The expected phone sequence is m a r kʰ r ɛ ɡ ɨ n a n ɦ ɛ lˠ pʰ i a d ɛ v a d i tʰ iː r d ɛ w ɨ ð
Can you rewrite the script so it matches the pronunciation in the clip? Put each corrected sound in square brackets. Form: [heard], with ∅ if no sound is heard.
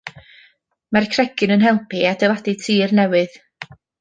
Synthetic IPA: m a r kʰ r ɛ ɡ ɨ n [ə] n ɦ ɛ lˠ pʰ i a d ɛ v a d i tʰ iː r [n] ɛ w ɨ ð